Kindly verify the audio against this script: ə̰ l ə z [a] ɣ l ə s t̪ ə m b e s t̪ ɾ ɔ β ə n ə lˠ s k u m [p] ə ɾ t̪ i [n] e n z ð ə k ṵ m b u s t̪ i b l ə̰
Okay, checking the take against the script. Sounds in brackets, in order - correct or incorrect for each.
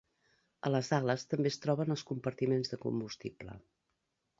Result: correct, correct, incorrect: m

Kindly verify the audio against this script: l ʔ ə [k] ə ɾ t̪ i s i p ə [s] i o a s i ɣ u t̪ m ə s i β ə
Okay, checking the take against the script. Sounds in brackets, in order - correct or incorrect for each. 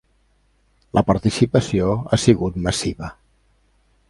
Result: incorrect: p, correct

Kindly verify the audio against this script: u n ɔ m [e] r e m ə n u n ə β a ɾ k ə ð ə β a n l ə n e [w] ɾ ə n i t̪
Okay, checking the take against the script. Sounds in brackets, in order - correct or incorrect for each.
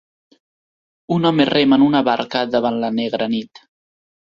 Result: correct, incorrect: ɣ

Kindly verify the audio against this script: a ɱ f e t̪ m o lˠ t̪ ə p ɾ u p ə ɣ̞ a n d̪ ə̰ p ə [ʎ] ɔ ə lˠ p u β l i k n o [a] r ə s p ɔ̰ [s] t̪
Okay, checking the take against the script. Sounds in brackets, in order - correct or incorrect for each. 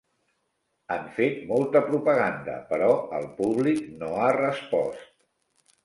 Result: incorrect: ɾ, correct, correct

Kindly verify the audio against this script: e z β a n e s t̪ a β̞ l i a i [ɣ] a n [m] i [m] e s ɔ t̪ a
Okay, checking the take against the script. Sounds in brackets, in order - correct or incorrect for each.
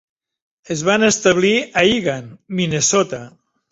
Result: correct, correct, incorrect: n

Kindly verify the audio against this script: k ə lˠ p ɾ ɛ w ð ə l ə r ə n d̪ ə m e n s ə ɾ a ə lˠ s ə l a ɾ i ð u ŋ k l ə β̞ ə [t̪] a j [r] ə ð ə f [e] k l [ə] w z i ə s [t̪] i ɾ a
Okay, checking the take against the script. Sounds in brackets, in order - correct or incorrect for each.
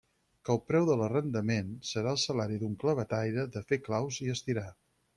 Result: correct, incorrect: ɾ, correct, incorrect: a, correct

